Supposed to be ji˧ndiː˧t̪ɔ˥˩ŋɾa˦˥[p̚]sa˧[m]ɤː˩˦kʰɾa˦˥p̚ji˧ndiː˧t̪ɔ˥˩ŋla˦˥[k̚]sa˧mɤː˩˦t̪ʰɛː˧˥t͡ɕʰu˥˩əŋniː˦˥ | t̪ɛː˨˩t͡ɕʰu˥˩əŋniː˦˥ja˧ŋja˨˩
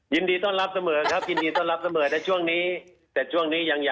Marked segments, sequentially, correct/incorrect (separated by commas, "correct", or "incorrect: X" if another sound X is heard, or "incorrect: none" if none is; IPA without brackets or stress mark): correct, correct, incorrect: p̚